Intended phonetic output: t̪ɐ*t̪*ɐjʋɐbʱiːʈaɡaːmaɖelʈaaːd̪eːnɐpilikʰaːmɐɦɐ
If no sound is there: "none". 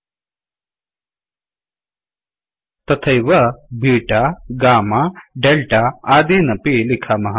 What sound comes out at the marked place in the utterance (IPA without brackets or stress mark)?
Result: t̪ʰ